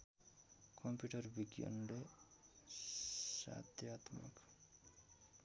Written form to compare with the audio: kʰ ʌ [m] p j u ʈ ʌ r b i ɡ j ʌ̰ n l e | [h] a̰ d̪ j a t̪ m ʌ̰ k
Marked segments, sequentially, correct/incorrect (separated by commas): correct, incorrect